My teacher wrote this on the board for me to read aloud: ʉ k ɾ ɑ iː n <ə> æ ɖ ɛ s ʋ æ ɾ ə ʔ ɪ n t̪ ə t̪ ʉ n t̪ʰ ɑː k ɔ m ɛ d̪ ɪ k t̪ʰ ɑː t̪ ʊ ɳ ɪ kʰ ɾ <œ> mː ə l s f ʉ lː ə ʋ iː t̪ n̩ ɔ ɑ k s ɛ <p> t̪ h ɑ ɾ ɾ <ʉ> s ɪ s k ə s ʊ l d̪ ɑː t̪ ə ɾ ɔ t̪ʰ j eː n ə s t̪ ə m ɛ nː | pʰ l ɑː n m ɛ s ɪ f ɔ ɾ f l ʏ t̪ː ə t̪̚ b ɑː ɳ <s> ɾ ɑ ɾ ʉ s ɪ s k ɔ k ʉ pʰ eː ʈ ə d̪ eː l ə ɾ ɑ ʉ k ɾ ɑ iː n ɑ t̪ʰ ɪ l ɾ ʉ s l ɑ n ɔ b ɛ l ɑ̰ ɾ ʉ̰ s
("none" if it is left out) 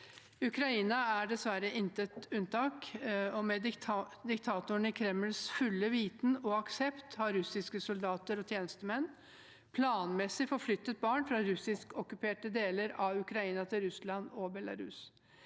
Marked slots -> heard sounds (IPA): ɑ, ɛ, p, ʉ, f

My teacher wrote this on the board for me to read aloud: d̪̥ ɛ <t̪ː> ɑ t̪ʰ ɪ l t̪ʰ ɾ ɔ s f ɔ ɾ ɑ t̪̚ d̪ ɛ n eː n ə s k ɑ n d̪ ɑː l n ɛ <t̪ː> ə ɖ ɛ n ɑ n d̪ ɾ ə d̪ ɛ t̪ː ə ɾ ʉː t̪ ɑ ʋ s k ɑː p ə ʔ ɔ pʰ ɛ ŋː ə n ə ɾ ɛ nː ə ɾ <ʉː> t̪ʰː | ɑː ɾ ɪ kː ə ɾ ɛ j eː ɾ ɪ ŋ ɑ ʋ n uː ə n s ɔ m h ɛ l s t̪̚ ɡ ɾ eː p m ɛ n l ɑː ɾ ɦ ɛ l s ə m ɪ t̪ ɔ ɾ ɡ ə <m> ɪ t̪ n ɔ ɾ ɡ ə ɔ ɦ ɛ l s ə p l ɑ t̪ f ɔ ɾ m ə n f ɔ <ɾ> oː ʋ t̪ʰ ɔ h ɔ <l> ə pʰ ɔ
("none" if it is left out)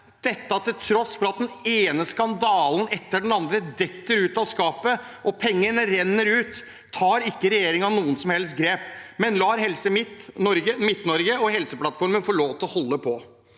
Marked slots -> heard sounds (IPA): t̪ː, t̪ː, ʉː, m, ɭ, lː

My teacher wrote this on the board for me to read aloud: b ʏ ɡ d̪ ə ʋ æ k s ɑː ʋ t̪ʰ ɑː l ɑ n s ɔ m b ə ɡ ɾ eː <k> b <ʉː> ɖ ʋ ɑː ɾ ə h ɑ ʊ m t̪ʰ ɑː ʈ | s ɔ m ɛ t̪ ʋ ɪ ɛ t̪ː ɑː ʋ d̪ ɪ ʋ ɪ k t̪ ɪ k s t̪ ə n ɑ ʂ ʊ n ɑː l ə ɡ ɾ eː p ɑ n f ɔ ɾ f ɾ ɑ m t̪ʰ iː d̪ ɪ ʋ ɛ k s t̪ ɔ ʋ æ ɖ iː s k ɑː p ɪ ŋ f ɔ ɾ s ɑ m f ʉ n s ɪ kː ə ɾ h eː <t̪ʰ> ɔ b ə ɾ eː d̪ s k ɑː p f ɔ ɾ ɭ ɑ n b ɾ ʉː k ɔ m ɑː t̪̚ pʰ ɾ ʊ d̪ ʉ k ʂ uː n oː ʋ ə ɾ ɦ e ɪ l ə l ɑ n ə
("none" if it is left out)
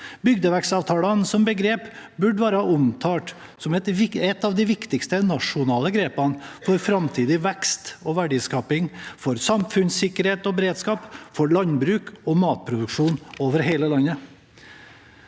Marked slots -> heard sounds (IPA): p, ʉ, t̪

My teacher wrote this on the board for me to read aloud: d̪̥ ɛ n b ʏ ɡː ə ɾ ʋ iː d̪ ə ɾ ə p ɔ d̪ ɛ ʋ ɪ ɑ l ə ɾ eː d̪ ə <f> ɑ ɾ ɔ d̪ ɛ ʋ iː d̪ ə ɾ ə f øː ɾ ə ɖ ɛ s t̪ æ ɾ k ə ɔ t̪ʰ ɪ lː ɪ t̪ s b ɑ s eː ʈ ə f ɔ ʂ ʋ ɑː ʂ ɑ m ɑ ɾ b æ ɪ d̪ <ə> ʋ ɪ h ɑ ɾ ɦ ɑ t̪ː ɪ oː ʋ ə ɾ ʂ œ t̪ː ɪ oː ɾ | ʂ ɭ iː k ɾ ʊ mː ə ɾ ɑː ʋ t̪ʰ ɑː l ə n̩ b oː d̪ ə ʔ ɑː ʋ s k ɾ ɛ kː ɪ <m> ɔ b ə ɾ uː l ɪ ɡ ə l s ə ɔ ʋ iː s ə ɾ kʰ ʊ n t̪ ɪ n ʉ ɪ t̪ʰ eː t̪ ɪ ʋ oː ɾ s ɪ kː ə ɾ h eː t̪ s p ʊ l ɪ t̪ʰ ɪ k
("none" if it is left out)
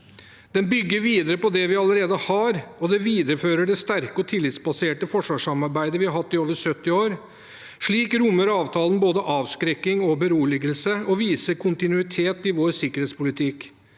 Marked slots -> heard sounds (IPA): h, ə, ŋ

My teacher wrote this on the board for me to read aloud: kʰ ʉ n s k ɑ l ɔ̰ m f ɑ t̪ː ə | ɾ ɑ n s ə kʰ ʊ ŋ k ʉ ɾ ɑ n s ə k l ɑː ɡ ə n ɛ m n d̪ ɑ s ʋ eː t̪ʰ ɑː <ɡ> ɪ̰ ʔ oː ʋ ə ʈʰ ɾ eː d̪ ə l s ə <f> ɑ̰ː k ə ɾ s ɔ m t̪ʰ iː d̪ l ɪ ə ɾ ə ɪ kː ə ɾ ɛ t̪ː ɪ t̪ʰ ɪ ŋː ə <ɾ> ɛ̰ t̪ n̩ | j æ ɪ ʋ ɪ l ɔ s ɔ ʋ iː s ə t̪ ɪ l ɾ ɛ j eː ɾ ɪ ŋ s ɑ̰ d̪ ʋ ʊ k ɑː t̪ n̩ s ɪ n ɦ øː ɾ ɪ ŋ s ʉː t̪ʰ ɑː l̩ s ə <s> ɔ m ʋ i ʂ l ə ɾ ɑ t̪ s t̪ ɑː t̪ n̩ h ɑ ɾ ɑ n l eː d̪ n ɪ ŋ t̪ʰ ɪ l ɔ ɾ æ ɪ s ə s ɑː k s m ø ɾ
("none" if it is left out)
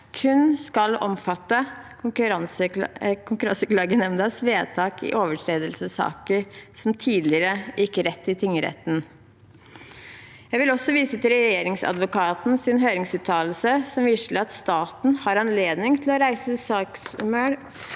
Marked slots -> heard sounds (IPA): k, s, ɾ, s

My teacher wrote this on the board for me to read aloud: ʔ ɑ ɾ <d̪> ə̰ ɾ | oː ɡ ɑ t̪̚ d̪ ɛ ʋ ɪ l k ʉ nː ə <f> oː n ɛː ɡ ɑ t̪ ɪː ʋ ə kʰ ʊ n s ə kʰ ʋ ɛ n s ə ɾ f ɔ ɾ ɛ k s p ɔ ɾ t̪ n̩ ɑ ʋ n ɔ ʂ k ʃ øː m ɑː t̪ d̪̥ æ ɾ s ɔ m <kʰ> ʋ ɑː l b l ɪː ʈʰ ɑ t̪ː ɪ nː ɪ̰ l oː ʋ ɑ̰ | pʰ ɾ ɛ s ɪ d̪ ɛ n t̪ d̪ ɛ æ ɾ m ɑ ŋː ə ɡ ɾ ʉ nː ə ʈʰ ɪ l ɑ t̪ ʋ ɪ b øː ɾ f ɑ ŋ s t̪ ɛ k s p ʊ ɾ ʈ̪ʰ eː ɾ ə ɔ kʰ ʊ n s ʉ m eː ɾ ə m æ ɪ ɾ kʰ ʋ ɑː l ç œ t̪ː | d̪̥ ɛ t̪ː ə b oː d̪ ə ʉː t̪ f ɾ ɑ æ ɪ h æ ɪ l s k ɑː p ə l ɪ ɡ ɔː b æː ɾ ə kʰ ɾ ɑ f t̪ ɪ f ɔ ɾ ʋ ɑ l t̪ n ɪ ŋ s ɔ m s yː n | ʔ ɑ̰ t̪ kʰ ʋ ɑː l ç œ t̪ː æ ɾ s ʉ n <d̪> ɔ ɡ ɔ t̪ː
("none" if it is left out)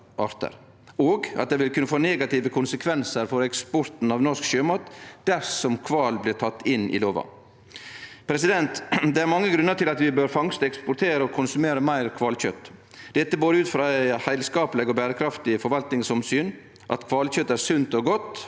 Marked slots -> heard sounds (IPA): t̪, f, kʰ, t̪

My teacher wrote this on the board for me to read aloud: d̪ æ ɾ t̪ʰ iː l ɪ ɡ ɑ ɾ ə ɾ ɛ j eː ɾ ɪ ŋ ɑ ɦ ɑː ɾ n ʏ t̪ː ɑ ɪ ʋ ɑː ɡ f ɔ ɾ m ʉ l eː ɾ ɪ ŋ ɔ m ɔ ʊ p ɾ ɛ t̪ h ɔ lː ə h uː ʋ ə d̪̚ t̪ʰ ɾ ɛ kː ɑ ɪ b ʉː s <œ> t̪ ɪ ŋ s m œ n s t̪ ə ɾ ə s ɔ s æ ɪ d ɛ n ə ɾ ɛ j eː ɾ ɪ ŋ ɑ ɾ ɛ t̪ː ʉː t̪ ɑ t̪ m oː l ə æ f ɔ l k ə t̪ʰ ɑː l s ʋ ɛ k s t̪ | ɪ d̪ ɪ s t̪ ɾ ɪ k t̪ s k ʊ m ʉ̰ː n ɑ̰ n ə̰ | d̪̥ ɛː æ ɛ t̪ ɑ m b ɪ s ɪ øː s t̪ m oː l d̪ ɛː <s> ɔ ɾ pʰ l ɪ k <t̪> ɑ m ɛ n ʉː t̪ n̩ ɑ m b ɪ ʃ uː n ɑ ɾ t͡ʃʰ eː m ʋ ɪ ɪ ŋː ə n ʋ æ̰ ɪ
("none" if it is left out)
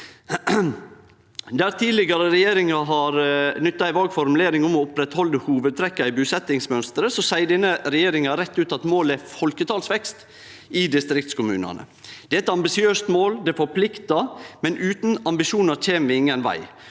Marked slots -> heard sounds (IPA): ɛ, f, t̪

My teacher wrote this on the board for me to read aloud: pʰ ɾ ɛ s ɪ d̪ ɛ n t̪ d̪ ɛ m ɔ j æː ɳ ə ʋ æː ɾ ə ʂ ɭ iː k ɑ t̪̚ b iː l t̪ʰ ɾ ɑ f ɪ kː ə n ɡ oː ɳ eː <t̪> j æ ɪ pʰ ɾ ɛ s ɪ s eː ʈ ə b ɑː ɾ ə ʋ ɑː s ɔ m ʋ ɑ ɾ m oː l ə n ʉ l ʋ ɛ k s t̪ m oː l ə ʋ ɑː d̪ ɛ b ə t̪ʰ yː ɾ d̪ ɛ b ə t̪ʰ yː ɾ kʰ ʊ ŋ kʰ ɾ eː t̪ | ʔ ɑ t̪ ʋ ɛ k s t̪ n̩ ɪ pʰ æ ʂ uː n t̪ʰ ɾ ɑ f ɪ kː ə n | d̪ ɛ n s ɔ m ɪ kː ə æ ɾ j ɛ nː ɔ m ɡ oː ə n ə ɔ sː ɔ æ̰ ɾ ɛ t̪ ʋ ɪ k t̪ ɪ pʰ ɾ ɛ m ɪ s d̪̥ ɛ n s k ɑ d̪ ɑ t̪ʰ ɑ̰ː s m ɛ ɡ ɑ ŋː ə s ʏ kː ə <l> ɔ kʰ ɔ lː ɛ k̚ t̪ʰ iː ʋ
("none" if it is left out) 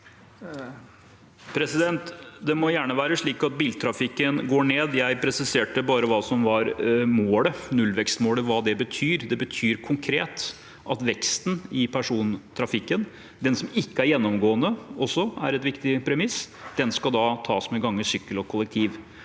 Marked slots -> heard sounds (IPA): d̪, l

